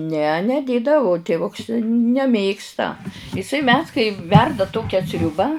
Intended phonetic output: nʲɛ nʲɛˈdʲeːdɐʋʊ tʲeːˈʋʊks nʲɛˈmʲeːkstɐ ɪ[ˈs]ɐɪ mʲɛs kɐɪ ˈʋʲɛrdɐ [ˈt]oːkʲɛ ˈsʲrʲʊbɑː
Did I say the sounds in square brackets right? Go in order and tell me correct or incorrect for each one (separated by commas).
correct, correct